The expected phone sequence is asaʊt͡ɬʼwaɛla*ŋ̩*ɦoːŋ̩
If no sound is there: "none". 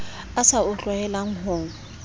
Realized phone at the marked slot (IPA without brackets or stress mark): ŋ̩